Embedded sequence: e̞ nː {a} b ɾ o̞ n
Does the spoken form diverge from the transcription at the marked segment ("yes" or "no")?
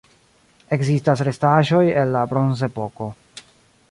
no